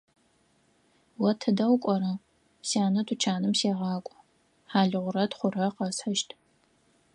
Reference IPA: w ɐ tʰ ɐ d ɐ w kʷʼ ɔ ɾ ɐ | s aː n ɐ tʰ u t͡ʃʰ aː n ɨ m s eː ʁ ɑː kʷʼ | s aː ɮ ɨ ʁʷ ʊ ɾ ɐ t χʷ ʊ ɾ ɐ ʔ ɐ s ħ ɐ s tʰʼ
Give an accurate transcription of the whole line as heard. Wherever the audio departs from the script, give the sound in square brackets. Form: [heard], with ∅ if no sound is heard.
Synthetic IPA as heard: w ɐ tʰ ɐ d ɐ w kʷʼ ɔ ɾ ɐ | s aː n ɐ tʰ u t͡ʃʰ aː n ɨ m s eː ʁ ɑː kʷʼ | [ħ] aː ɮ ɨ ʁʷ ʊ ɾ ɐ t χʷ ʊ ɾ ɐ [q] ɐ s ħ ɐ [ʃ] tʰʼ